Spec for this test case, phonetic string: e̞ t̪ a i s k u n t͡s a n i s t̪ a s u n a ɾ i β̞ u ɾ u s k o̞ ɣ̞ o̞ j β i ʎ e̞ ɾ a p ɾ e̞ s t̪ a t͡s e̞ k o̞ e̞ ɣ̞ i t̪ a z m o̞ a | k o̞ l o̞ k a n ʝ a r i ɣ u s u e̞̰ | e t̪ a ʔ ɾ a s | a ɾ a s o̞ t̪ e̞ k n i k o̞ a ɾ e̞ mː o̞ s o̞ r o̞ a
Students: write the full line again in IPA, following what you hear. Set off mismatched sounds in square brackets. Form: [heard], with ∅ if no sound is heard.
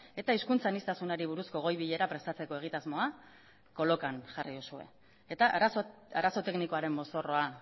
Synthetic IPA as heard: e̞ t̪ a i s k u n t͡s a n i s t̪ a s u n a ɾ i β̞ u ɾ u s k o̞ ɣ̞ o̞ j β i ʎ e̞ ɾ a p ɾ e̞ s t̪ a t͡s e̞ k o̞ e̞ ɣ̞ i t̪ a z m o̞ a | k o̞ l o̞ k a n ʝ a r i [ð] u s u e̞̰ | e t̪ a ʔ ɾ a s | a ɾ a s o̞ t̪ e̞ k n i k o̞ a ɾ e̞ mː o̞ s o̞ r o̞ a